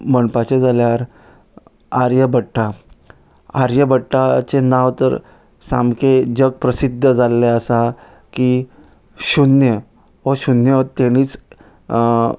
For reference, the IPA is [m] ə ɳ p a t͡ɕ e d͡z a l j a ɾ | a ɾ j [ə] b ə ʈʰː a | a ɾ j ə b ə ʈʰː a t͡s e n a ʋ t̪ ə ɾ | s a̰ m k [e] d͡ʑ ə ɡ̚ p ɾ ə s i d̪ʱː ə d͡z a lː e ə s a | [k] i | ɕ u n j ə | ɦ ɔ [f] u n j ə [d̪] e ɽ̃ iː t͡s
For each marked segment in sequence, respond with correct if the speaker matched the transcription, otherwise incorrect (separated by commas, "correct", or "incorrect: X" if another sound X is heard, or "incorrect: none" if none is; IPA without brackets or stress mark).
correct, correct, correct, correct, incorrect: ɕ, incorrect: t̪